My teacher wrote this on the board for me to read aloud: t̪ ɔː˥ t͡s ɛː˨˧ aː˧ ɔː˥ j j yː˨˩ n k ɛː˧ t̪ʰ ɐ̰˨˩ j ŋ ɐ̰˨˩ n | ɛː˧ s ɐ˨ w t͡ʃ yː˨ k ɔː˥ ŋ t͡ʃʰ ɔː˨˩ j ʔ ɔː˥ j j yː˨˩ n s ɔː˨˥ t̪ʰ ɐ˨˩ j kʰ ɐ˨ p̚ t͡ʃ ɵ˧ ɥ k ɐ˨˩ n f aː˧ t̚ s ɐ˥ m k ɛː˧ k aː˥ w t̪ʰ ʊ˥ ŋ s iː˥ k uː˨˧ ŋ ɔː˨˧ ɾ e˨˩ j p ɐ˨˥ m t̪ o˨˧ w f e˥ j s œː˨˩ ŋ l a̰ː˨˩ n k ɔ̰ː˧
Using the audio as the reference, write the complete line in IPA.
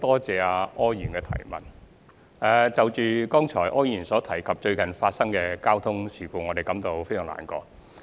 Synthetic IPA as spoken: t̪ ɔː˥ t͡s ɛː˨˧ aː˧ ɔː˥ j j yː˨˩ n k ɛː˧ t̪ʰ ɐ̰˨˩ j m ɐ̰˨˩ n | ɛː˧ t͡s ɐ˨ w t͡ʃ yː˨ k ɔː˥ ŋ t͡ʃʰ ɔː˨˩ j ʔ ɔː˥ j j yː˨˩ n s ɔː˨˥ t̪ʰ ɐ˨˩ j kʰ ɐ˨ p̚ t͡ʃ ɵ˧ ɥ k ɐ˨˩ n f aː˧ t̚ s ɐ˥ ŋ k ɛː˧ k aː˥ w t̪ʰ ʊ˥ ŋ s iː˨˩ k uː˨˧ ŋ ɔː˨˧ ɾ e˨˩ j k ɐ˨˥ m t̪ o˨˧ w f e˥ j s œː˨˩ ŋ l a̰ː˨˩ n k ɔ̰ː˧